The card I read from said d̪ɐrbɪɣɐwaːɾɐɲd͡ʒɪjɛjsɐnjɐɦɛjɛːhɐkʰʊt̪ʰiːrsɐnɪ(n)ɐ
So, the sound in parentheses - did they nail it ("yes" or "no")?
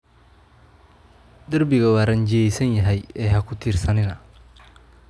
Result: yes